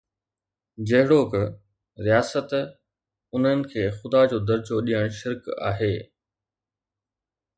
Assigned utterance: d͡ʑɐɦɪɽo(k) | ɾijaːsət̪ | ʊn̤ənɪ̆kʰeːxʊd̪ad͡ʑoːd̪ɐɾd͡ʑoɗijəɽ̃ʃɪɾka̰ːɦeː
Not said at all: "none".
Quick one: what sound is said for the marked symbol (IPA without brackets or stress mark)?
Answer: k